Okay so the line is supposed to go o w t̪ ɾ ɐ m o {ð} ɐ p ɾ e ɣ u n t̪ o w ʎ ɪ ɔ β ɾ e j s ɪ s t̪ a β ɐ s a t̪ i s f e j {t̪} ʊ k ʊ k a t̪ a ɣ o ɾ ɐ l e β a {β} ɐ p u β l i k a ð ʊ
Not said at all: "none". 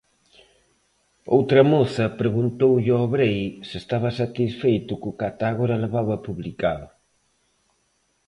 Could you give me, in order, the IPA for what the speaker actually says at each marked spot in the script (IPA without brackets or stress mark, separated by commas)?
θ, t̪, β